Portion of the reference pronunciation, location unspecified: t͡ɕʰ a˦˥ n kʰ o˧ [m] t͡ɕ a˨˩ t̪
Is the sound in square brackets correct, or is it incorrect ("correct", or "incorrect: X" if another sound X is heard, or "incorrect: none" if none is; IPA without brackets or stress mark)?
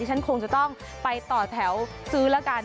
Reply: incorrect: ŋ